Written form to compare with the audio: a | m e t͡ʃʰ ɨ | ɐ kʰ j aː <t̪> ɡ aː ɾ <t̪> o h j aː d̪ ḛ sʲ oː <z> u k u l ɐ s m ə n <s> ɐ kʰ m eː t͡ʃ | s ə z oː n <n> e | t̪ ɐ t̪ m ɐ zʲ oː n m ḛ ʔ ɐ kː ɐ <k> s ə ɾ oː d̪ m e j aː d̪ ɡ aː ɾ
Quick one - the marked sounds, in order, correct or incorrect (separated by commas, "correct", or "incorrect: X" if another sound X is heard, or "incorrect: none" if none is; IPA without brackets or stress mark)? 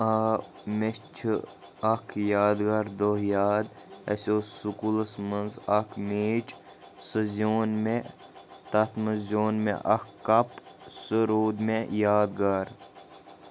incorrect: d̪, incorrect: d̪, incorrect: s, incorrect: z, incorrect: m, incorrect: p